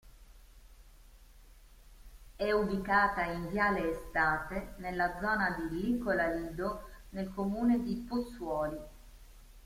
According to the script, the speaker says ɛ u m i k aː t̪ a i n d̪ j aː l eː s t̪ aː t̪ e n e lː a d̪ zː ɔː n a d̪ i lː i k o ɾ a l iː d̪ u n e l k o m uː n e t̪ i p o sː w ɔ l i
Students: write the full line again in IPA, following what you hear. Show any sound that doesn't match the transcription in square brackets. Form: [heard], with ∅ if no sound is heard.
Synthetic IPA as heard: ɛ u [b] i k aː t̪ a i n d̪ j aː l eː s t̪ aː t̪ e n e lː a d̪ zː ɔː n a d̪ i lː i k o [l] a l iː d̪ [o] n e l k o m uː n e [d̪] i p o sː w [ɔː] l i